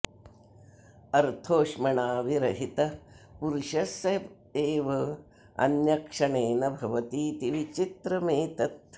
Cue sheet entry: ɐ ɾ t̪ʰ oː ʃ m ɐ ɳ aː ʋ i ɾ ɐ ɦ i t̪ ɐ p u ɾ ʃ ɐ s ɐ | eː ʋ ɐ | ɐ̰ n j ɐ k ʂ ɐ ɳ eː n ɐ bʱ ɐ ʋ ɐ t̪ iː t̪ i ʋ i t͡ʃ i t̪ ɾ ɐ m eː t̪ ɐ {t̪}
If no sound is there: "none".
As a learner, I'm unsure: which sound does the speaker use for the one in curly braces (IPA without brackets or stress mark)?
t̪